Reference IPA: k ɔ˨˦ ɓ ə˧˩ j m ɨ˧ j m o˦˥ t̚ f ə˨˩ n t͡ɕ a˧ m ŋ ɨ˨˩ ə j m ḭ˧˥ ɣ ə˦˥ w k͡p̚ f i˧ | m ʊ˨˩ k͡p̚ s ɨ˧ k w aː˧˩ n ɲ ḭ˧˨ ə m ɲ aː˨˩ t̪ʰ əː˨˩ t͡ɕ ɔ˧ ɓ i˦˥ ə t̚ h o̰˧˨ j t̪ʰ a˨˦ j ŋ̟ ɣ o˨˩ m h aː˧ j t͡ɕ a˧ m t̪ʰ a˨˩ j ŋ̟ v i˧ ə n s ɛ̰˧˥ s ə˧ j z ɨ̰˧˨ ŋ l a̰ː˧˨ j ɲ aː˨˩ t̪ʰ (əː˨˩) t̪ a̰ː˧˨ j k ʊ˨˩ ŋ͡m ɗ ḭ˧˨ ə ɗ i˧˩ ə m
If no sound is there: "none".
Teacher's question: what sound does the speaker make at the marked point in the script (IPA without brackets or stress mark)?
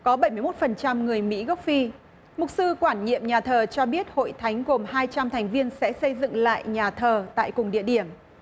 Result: əː˨˩